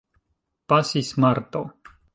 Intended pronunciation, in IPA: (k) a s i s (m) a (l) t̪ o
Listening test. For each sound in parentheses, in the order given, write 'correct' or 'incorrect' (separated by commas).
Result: incorrect, correct, incorrect